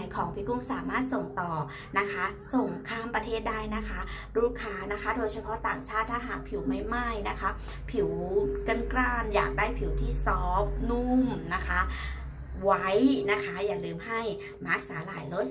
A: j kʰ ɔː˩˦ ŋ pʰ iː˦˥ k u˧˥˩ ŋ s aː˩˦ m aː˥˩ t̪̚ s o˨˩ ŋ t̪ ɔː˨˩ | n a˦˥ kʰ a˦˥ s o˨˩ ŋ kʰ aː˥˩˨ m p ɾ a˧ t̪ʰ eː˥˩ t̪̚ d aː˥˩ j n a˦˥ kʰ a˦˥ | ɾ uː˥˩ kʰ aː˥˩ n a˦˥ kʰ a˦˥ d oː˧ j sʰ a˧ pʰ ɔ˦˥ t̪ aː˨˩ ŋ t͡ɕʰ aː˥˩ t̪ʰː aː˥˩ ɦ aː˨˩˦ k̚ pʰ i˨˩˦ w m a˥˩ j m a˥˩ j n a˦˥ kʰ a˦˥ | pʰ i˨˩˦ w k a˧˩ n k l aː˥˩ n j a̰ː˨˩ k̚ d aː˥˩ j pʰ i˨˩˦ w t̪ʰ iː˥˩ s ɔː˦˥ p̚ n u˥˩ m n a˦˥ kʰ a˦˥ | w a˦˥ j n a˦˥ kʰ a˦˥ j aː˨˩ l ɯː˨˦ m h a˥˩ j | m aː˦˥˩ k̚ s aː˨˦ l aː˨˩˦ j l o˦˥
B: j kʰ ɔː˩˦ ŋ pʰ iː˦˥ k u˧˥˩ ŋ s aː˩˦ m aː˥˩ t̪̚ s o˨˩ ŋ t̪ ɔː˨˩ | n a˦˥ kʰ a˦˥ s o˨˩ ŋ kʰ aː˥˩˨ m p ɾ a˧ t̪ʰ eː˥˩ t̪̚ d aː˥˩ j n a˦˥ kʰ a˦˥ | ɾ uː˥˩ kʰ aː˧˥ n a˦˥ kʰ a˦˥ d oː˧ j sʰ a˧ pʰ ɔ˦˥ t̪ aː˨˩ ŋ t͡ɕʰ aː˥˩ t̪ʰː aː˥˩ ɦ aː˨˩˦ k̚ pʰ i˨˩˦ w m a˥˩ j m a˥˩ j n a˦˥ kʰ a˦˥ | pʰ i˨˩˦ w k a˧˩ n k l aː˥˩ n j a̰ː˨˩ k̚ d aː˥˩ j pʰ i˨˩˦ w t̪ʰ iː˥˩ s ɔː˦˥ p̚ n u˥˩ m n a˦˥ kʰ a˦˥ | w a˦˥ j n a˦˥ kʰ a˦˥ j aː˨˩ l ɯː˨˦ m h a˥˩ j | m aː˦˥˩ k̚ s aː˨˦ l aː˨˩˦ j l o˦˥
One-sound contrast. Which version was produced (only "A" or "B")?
B